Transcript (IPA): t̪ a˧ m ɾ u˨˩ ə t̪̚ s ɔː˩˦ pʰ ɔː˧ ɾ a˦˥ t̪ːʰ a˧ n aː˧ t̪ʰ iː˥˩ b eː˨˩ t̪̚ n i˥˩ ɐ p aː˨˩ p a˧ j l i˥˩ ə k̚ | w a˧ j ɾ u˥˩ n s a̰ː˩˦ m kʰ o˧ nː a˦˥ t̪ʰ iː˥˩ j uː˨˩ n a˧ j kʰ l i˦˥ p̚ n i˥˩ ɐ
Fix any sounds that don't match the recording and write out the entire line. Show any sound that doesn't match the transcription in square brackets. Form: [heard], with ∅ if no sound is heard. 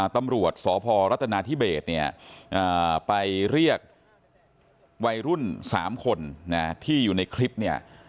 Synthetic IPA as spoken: t̪ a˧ m ɾ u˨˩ ə t̪̚ s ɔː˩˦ pʰ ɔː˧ ɾ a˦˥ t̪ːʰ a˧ n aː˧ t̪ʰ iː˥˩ b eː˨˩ t̪̚ n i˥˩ ɐ [ʔ] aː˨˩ p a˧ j [ɾ] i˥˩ ə k̚ | w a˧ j ɾ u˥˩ n s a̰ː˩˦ m kʰ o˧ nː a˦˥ t̪ʰ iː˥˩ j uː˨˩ n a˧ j kʰ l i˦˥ p̚ n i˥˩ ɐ